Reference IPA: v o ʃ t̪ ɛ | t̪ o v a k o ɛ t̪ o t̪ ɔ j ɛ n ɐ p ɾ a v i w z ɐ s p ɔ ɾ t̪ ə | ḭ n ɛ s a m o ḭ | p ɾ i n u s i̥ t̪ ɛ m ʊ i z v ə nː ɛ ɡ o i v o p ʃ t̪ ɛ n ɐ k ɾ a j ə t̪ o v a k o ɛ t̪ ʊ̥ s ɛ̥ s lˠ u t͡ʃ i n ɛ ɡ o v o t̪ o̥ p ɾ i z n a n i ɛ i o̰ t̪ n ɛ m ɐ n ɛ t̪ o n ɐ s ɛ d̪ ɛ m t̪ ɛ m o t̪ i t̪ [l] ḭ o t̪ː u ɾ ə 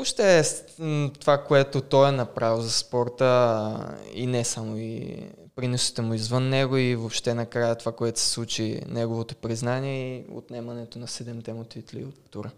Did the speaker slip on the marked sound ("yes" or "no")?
no